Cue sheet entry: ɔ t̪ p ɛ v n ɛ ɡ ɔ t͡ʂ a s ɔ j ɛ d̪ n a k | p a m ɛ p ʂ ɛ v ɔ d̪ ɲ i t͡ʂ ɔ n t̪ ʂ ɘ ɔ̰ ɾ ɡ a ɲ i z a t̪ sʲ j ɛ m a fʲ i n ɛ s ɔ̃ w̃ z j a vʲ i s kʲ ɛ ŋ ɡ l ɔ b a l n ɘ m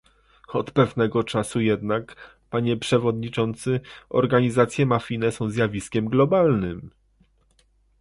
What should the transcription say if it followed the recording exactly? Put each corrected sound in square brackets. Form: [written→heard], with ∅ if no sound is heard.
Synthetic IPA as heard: ɔ t̪ p ɛ v n ɛ ɡ ɔ t͡ʂ a s [ɔ→u] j ɛ d̪ n a k | p a [m→ɲ] ɛ p ʂ ɛ v ɔ d̪ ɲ i t͡ʂ ɔ n t̪ [ʂ→s] ɘ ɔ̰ ɾ ɡ a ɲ i z a t̪ sʲ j ɛ m a fʲ i n ɛ s ɔ̃ w̃ z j a vʲ i s kʲ ɛ [ŋ→m] ɡ l ɔ b a l n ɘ m